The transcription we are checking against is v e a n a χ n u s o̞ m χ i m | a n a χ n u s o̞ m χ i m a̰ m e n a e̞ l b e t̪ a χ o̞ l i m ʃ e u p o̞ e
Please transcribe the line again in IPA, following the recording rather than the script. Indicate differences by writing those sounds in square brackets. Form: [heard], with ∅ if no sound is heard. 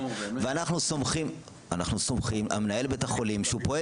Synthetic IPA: v e a n a χ n u s o̞ m χ i m | a n a χ n u s o̞ m χ i m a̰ m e n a e̞ l b e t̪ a χ o̞ l i m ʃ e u p o̞ e